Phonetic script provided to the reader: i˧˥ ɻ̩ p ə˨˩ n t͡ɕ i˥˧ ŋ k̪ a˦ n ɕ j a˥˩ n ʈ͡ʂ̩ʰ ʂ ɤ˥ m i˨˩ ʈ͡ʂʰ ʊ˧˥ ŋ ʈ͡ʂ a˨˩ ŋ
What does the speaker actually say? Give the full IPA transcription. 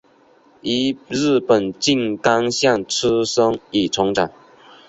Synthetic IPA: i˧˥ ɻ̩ p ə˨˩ n t͡ɕ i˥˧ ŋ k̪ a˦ ŋ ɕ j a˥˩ ŋ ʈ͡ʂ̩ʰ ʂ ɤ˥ ŋ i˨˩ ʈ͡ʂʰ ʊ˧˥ ŋ ʈ͡ʂ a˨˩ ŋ